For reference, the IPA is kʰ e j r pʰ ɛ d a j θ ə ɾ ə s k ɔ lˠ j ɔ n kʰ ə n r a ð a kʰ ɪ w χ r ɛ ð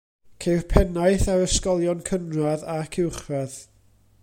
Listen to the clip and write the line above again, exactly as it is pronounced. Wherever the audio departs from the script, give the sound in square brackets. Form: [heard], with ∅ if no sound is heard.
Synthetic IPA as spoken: kʰ e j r pʰ ɛ [n] a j θ [a] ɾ ə s k ɔ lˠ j ɔ n kʰ ə n r a ð a kʰ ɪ w χ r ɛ ð